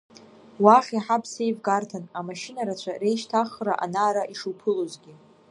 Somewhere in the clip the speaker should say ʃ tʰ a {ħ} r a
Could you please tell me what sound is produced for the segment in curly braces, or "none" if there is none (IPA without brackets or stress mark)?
χ